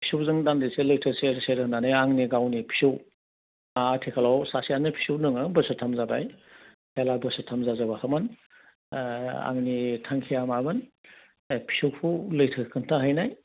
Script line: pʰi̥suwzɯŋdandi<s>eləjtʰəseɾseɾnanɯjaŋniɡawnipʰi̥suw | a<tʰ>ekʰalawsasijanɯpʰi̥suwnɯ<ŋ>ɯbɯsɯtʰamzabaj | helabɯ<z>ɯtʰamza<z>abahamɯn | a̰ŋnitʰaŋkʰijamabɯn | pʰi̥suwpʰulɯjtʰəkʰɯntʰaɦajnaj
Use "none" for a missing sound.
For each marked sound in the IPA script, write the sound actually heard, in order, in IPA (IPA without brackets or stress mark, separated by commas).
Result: s, tʰ, ŋ, s, z